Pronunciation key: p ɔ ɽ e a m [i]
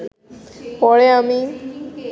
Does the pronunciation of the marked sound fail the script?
no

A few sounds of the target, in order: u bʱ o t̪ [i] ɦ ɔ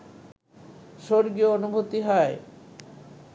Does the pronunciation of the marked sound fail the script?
no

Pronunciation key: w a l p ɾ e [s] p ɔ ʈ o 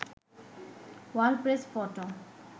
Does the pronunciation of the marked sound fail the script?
no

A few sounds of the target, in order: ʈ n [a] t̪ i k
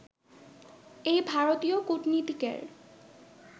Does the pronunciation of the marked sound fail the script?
yes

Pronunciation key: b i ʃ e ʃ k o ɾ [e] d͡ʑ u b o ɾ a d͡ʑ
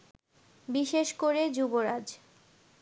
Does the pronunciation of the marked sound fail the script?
no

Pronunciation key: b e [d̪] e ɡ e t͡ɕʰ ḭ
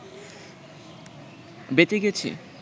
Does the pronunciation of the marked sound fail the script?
yes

